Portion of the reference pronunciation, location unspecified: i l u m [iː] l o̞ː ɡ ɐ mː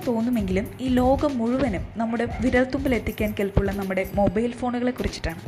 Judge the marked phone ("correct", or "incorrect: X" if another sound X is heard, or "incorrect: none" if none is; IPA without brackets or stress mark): correct